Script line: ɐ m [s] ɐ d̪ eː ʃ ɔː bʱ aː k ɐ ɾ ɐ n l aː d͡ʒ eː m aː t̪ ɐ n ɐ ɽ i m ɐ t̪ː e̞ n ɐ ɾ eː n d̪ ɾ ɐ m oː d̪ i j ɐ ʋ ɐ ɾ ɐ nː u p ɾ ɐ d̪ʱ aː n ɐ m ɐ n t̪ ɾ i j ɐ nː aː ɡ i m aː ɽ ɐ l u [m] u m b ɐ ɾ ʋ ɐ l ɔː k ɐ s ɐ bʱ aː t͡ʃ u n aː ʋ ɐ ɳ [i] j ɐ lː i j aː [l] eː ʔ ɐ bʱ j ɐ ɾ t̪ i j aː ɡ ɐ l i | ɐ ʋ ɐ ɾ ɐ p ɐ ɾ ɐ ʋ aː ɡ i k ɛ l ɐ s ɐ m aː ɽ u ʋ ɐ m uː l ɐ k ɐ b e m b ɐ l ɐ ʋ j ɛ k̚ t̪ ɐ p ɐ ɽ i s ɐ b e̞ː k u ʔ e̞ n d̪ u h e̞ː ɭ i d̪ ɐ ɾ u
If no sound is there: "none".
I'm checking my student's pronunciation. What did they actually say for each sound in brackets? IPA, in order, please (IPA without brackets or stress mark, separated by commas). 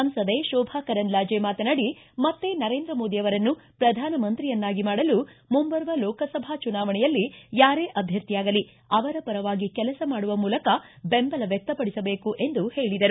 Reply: s, m, ɛ, ɾ